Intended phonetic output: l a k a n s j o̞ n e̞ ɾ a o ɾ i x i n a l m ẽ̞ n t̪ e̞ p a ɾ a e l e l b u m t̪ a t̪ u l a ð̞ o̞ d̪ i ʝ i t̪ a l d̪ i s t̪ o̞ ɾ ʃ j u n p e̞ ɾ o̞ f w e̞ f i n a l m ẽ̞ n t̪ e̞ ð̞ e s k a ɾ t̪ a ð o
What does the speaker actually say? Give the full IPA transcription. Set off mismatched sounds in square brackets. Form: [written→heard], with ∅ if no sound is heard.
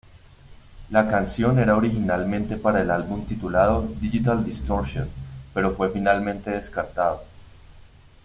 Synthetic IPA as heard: l a k a n s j o̞ n e̞ ɾ a o ɾ i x i n a l m ẽ̞ n t̪ e̞ p a ɾ a e l [e→a] l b u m t̪ [a→i] t̪ u l a ð̞ o̞ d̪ i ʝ i t̪ a l d̪ i s t̪ o̞ ɾ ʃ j [u→o] n p e̞ ɾ o̞ f w e̞ f i n a l m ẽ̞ n t̪ e̞ ð̞ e s k a ɾ t̪ a ð o